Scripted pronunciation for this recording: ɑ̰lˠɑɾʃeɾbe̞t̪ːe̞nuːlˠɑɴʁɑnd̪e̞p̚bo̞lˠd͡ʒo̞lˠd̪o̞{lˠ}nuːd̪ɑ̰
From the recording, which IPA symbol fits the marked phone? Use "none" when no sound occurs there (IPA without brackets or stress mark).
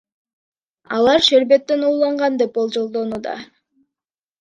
none